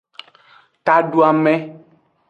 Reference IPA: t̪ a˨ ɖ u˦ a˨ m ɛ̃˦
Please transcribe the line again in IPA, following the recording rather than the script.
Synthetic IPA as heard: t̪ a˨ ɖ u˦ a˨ m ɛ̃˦